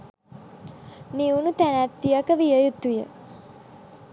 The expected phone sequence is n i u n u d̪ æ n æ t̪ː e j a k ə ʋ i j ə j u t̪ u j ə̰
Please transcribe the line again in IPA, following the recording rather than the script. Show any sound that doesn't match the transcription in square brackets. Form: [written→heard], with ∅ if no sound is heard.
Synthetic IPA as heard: n i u n u [d̪→t̪] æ n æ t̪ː [e→i] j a k ə ʋ i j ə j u t̪ u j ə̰